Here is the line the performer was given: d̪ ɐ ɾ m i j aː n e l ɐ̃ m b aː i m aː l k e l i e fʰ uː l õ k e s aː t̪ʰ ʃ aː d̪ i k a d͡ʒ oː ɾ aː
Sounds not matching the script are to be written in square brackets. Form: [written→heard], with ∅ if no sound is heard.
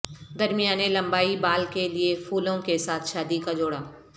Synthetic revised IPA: d̪ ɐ ɾ m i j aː n e l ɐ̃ m b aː i [m→b] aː l k e l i e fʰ uː l õ k e s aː t̪ʰ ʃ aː d̪ i k a d͡ʒ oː [ɾ→ɽ] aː